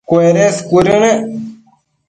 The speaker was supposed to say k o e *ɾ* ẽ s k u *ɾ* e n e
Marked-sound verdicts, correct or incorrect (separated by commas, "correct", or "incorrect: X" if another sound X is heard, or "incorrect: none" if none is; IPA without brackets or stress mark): correct, correct